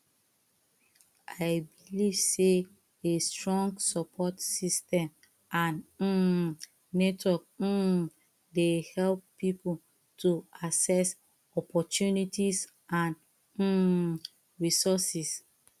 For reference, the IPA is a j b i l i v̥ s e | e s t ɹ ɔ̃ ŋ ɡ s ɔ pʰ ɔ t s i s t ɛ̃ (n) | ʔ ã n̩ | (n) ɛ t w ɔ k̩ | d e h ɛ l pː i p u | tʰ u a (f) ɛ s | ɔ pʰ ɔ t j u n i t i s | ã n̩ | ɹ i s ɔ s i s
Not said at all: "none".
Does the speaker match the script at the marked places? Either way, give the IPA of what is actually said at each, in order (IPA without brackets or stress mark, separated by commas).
m, n, s